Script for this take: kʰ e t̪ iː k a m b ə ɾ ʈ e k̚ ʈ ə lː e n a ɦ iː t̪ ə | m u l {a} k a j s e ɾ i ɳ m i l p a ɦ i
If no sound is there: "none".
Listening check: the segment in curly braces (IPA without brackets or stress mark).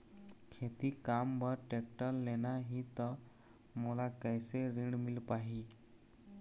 a